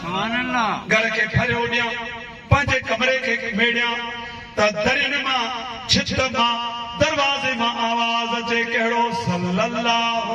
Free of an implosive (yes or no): no